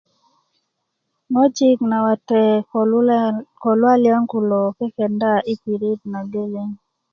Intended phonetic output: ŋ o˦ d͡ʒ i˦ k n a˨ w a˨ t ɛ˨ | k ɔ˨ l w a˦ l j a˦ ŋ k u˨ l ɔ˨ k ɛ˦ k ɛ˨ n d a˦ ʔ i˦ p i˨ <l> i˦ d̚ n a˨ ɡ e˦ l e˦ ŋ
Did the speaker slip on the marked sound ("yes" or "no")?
yes